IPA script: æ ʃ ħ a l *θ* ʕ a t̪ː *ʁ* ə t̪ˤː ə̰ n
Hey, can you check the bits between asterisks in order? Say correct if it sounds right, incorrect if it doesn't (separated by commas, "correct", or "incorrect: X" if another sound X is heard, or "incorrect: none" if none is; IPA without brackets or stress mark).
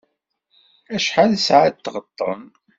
incorrect: s, correct